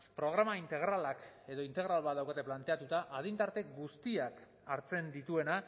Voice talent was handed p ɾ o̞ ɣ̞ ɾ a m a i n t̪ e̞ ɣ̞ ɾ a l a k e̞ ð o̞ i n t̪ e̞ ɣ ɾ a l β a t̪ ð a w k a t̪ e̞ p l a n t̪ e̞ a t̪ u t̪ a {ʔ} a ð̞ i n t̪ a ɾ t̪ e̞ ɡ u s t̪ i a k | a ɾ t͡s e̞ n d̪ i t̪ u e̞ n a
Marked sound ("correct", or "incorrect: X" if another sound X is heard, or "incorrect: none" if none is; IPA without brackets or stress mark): correct